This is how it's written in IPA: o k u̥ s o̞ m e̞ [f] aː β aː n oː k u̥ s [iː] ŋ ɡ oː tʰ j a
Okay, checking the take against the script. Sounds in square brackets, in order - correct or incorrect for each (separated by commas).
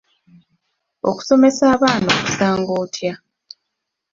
incorrect, incorrect